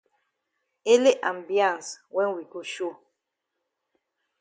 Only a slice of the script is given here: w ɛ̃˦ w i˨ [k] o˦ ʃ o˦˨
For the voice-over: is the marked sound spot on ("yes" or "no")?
yes